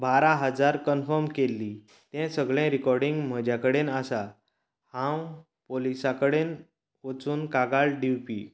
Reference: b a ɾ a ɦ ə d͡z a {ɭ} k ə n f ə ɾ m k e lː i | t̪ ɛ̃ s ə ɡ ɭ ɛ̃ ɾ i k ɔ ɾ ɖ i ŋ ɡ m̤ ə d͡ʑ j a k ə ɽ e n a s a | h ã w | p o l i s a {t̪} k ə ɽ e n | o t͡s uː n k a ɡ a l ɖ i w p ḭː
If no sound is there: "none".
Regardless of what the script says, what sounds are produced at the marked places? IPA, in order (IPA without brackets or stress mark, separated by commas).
ɾ, none